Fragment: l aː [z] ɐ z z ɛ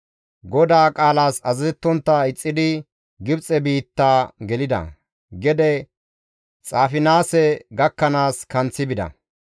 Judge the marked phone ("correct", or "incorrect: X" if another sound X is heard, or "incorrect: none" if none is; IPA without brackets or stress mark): incorrect: s